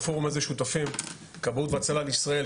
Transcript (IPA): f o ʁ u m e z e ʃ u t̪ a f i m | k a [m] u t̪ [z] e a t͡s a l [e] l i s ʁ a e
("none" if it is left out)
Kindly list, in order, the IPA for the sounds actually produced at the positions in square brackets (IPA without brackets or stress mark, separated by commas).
b, v, a